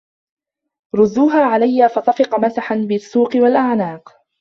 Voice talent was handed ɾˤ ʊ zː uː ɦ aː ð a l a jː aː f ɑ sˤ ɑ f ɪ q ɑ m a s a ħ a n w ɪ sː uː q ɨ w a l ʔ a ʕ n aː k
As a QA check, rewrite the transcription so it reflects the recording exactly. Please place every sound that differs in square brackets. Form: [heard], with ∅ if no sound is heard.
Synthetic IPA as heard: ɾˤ ʊ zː uː ɦ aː [ʕ] a l a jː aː f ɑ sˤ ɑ f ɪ q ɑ m a s a ħ a n [b] ɪ sː uː q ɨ w a l ʔ a ʕ n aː [q]